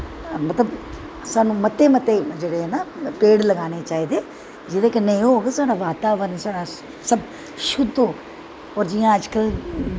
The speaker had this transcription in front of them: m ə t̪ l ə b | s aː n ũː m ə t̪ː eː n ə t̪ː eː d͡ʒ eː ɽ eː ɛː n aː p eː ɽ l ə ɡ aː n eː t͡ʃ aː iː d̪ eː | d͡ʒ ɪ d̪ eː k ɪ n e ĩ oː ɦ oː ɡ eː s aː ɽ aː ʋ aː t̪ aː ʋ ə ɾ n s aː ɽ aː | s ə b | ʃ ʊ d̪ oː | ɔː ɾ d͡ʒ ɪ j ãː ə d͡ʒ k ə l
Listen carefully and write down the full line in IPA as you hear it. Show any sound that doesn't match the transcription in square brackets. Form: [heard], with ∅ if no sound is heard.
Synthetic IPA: m ə t̪ l ə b | s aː n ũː m ə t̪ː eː [m] ə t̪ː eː d͡ʒ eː ɽ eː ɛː n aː p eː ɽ l ə ɡ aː n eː t͡ʃ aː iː d̪ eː | d͡ʒ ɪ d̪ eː k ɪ n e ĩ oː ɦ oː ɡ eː s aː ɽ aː ʋ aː t̪ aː ʋ ə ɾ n s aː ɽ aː | s ə b | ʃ ʊ d̪ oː | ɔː ɾ d͡ʒ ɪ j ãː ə d͡ʒ k ə l